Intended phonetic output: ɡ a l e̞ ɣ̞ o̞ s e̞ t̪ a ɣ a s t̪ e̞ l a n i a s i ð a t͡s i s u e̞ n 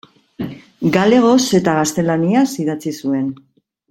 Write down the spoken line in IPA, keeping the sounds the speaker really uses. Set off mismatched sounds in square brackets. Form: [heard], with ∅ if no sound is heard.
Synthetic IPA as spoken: ɡ a l e̞ ɣ̞ o̞ s e̞ t̪ a ɣ a s t̪ e̞ l a n i a s i ð a t͡s i s u e̞ n